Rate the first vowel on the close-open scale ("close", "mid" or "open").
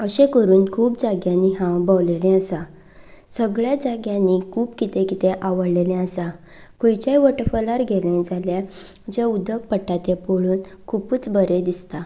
mid